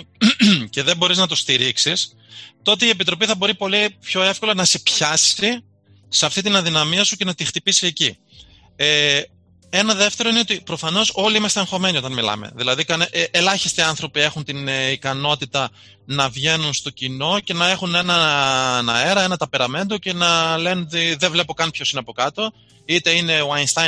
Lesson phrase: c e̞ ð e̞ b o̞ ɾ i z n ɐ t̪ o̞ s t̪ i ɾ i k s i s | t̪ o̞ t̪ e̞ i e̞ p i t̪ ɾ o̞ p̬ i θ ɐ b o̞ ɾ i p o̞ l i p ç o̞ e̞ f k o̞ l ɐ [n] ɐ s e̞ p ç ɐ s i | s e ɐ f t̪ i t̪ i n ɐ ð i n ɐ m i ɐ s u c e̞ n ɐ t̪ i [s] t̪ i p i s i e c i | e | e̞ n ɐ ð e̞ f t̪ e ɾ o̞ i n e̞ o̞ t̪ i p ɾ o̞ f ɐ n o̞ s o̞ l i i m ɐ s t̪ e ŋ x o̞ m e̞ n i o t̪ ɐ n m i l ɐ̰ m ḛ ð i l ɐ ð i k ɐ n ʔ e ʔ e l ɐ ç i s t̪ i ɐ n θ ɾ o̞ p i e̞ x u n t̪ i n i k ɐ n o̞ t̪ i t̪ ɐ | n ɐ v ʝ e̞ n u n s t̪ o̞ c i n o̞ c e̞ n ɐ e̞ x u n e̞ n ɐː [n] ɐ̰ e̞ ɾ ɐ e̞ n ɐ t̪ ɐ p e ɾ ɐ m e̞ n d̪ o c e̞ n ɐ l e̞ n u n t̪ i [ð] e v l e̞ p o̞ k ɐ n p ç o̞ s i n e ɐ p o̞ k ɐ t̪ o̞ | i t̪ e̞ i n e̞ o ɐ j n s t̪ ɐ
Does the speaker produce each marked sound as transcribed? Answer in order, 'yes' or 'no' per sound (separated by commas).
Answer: yes, no, yes, yes